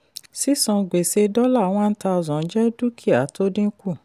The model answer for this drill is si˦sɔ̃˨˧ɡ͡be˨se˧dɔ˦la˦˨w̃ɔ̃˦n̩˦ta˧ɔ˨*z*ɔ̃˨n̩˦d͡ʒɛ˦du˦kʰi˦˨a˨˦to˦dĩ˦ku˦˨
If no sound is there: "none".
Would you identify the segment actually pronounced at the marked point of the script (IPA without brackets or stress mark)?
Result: z